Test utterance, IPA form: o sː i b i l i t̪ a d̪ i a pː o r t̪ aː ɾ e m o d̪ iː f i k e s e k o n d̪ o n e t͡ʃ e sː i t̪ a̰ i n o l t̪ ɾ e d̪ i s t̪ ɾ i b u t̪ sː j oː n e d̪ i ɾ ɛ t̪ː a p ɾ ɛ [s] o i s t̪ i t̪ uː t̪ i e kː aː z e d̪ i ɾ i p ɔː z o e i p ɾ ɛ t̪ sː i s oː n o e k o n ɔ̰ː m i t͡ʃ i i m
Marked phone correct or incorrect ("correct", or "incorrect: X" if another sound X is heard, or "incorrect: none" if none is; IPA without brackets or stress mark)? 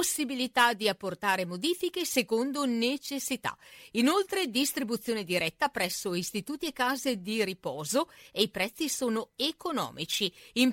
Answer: incorrect: sː